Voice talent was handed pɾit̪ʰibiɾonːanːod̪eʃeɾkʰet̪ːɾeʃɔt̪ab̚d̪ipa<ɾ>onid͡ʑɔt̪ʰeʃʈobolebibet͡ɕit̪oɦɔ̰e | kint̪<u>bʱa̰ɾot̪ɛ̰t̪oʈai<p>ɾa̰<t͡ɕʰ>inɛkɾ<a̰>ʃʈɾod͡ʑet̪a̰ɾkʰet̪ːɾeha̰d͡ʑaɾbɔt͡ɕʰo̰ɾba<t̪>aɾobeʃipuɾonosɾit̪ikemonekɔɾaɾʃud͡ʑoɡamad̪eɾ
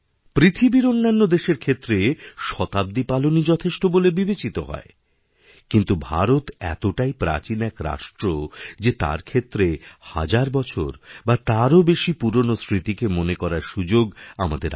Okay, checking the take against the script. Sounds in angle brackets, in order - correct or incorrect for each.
incorrect, correct, correct, incorrect, correct, correct

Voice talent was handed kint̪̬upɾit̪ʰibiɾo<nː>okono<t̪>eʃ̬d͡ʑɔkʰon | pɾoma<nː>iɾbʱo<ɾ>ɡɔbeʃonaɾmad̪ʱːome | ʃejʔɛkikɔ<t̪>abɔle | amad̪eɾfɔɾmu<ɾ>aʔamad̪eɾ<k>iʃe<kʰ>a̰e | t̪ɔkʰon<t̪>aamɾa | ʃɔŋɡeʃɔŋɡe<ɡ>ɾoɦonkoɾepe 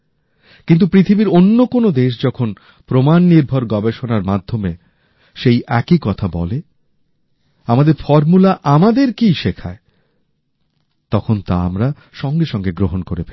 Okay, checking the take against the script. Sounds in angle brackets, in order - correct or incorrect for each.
correct, incorrect, correct, correct, incorrect, incorrect, correct, correct, correct, correct

